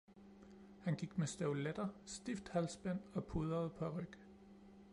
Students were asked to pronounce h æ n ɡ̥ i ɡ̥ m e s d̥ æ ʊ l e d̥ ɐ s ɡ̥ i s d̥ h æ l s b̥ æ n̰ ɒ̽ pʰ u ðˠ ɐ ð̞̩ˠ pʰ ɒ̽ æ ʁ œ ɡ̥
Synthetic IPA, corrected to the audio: h æ n ɡ̥ i ɡ̥ m e s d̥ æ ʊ l e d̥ ɐ s d̥ i f d̥ h æ l s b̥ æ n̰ ɒ̽ pʰ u ðˠ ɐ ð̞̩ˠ pʰ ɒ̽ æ ʁ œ ɡ̥